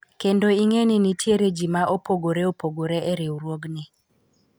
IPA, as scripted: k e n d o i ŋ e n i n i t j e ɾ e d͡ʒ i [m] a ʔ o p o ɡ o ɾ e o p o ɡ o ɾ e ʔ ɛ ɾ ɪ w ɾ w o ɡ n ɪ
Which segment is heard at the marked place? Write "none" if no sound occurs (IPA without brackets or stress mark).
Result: m